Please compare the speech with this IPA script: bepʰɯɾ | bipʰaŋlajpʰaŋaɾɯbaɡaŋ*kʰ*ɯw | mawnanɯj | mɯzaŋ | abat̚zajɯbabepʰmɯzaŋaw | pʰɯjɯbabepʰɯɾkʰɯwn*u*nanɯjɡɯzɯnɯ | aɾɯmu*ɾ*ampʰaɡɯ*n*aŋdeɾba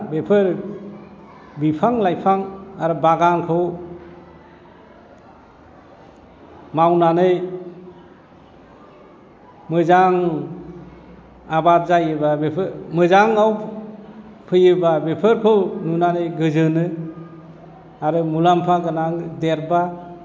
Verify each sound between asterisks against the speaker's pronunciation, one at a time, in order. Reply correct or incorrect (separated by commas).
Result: correct, correct, incorrect, correct